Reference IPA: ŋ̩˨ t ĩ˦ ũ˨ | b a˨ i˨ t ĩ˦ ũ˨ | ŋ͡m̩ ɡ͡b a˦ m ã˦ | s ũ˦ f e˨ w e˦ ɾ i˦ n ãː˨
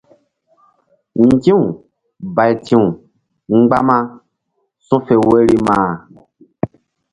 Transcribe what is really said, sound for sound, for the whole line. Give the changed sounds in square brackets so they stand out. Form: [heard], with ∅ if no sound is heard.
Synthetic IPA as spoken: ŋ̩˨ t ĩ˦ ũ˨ | b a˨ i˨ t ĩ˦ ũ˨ | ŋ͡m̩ ɡ͡b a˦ m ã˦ | s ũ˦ f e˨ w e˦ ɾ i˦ [m] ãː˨

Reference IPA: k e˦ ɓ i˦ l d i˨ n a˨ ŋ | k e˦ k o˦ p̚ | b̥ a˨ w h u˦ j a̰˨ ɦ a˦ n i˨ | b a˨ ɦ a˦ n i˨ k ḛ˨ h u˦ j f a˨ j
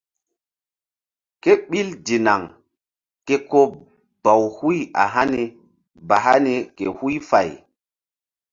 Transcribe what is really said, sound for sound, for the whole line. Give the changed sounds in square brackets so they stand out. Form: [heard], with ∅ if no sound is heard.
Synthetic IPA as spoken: k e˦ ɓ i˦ l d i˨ n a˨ ŋ | k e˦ k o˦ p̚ | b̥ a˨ w h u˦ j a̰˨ ɦ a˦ n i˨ | b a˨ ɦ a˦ n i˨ k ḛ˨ h u˦ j f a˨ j

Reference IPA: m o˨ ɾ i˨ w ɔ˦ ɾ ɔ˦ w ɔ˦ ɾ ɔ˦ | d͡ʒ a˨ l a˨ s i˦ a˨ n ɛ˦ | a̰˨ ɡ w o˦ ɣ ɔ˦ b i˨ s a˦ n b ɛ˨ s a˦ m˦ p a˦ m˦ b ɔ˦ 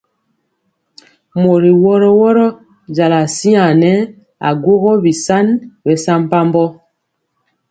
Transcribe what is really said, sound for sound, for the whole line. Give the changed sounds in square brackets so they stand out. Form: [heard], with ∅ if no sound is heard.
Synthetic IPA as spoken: m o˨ ɾ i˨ w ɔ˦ ɾ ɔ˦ w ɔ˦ ɾ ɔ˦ | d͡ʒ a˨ l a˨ s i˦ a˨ n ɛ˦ | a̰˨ ɡ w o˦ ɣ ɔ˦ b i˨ s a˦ n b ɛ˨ s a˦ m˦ p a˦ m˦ b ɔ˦

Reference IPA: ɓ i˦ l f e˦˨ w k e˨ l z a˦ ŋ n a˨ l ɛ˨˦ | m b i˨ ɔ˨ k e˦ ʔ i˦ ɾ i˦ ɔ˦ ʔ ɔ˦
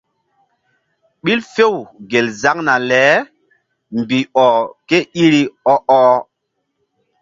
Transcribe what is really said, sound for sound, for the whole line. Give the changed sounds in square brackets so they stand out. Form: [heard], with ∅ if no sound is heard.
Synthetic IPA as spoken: ɓ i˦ l f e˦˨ w [ɡ] e˨ l z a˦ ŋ n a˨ l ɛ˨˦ | m b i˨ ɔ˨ k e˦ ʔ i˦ ɾ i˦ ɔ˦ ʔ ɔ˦

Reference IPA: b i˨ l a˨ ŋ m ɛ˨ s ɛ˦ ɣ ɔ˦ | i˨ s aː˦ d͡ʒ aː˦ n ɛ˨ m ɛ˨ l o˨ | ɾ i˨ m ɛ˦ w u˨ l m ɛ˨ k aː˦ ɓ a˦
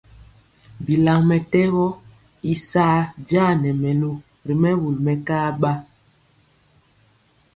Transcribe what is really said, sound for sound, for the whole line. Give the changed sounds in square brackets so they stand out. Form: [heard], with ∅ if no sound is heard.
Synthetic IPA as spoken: b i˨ l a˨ ŋ m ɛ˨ [t] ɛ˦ ɣ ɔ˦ | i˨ s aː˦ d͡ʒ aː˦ n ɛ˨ m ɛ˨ l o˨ | ɾ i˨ m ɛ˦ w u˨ l m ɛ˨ k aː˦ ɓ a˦

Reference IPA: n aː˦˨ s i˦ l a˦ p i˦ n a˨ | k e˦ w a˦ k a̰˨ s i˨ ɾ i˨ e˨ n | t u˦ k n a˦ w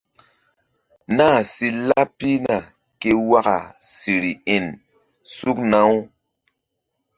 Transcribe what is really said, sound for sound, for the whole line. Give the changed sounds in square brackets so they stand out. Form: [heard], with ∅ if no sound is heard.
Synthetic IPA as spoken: n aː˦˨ s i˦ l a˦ p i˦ n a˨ | k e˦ w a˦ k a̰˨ s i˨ ɾ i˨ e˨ n | [s] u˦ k n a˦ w

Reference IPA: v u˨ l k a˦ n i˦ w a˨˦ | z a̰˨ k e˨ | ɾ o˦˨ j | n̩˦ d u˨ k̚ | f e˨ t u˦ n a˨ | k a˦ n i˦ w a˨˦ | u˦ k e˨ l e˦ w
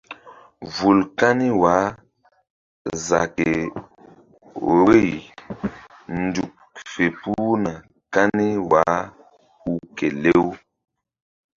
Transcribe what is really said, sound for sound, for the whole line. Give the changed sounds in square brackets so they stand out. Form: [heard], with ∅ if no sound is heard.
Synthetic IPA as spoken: v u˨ l k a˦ n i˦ w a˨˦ | z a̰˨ k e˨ | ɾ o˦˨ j | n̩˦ d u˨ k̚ | f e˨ [p] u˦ n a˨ | k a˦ n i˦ w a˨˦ | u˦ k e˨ l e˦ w

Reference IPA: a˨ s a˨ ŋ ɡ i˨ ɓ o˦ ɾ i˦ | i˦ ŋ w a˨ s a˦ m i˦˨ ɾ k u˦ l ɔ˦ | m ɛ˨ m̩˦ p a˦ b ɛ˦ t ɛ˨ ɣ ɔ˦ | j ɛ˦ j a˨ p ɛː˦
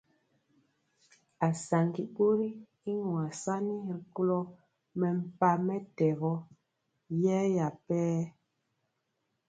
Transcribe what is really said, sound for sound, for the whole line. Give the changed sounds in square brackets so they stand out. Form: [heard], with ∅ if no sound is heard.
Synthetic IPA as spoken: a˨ s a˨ ŋ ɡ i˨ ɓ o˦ ɾ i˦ | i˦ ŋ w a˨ s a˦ [n] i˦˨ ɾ k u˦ l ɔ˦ | m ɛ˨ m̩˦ p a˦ [m] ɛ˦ t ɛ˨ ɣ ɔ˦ | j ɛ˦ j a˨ p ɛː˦

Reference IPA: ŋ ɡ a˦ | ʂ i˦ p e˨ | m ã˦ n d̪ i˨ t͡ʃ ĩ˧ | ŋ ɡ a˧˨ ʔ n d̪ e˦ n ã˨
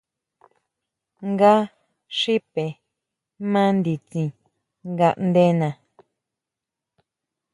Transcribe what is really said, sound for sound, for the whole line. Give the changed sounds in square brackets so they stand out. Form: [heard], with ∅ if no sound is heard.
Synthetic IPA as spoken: ŋ ɡ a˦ | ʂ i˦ p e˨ | m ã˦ n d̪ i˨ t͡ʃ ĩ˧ | ŋ ɡ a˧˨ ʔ n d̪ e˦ n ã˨

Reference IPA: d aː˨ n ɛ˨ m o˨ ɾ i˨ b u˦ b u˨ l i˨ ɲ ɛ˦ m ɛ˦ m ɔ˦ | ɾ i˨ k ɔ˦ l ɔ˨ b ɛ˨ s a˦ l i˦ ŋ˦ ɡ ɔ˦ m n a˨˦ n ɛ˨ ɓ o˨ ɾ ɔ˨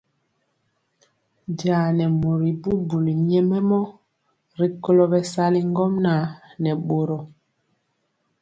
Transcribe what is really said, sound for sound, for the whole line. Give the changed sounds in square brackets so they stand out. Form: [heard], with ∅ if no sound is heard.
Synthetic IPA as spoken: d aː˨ n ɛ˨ m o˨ ɾ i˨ b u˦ b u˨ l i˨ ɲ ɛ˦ m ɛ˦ m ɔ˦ | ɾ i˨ k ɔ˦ l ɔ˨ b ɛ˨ s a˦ l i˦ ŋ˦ ɡ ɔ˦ m n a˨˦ n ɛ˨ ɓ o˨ ɾ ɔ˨

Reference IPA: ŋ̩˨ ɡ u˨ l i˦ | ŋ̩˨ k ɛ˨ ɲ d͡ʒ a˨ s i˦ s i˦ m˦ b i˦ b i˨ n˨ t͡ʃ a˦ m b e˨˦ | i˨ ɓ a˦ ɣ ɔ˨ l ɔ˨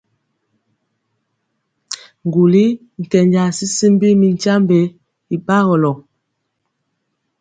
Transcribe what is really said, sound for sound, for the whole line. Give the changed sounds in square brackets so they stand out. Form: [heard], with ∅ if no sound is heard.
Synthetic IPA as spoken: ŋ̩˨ ɡ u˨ l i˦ | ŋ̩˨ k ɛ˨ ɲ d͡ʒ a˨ s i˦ s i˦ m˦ b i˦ [m] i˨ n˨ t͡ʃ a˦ m b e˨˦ | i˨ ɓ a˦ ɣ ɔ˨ l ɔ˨

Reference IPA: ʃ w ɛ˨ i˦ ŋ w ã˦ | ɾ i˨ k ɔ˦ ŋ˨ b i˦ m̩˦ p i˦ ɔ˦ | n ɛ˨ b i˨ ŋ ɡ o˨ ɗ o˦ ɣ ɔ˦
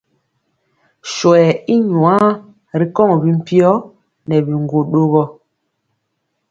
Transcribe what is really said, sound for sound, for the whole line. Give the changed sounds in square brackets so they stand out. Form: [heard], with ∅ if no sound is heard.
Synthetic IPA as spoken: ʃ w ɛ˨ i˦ [ɲ] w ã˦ | ɾ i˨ k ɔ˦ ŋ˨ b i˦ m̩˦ p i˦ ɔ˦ | n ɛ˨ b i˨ ŋ ɡ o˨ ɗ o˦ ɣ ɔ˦

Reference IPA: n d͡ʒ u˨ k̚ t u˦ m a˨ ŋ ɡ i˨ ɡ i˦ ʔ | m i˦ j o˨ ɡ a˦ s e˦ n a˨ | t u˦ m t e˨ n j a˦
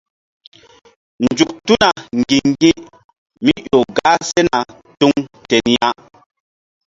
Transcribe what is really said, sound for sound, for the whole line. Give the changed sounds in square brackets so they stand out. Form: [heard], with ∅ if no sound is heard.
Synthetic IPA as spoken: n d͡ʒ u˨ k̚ t u˦ [n] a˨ ŋ ɡ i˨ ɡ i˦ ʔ | m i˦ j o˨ ɡ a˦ s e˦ n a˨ | t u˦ [ŋ] t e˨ n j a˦

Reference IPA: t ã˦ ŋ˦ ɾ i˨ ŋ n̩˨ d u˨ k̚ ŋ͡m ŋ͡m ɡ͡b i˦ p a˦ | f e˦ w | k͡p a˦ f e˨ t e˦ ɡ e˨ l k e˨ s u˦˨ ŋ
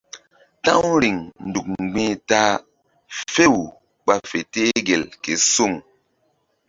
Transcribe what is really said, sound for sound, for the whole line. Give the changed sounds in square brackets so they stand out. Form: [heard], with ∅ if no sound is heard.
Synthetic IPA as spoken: t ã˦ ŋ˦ ɾ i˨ ŋ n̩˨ d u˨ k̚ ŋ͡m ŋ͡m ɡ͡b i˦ [t] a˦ | f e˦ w | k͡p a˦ f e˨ t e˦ ɡ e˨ l k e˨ s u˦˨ ŋ

